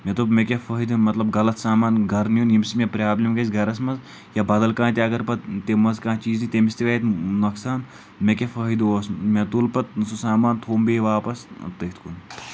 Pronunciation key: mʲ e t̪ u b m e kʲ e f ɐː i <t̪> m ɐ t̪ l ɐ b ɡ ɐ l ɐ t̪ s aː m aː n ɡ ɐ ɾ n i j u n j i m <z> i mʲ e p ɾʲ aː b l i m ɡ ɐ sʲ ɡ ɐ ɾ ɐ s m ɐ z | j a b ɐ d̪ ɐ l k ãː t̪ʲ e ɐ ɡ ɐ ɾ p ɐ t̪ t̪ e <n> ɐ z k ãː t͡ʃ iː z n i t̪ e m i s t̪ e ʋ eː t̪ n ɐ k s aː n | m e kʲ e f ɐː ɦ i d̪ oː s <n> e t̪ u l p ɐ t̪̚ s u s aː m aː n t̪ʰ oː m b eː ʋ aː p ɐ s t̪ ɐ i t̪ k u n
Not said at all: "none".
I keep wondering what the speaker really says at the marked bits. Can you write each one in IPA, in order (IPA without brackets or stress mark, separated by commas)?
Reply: d̪, s, m, m